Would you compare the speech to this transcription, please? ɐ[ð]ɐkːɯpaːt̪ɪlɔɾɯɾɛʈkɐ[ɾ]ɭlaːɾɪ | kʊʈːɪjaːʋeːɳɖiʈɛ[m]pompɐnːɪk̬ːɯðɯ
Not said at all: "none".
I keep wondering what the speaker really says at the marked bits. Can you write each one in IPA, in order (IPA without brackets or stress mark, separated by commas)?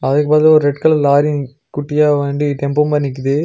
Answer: ð, none, m